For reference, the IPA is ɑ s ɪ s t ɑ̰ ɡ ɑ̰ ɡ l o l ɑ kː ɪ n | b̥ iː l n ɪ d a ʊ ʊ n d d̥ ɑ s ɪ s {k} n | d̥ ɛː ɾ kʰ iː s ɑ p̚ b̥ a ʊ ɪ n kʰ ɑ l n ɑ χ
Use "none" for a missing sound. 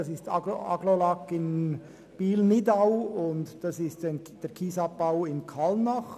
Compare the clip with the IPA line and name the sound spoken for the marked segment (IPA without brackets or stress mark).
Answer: t